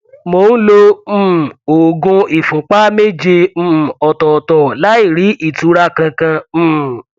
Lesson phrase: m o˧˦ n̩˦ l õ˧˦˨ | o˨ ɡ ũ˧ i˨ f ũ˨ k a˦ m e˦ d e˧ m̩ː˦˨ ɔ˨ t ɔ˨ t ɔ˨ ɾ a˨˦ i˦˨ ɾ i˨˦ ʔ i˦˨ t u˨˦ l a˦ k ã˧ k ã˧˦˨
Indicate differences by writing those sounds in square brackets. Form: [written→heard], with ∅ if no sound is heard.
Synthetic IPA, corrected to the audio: m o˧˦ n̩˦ l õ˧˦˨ | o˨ ɡ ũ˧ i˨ f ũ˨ [k→k͡p] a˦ m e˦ [d→d͡ʒ] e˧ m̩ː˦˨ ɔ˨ t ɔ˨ t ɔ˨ [ɾ→l] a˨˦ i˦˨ ɾ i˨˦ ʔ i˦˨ t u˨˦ [l→ɾ] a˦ k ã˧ k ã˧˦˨